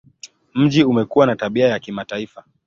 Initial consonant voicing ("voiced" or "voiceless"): voiced